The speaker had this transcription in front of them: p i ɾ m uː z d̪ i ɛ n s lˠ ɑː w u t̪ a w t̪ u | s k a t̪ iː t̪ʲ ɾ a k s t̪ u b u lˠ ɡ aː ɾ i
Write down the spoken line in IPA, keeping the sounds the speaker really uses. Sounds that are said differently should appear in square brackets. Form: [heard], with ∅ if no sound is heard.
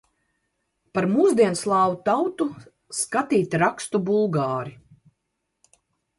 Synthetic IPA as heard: p [a] ɾ m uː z d̪ i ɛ n s lˠ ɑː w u t̪ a w t̪ u | s k a t̪ iː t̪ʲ ɾ a k s t̪ u b u lˠ ɡ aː ɾ i